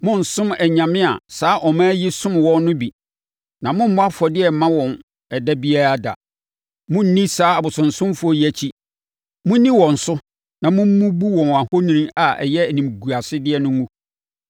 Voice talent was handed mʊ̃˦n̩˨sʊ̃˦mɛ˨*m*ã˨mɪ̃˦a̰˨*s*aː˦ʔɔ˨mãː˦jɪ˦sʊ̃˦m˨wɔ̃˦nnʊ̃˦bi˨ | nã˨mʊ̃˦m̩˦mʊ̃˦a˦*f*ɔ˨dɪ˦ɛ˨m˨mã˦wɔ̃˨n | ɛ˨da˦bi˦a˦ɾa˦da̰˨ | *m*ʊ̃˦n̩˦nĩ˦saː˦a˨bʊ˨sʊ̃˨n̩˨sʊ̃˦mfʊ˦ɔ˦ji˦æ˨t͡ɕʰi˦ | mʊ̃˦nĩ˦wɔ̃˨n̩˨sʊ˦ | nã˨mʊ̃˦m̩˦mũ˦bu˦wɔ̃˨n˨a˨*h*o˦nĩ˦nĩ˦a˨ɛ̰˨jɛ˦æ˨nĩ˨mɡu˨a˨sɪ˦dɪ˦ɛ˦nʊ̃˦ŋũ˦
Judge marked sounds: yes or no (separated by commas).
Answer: no, yes, yes, yes, yes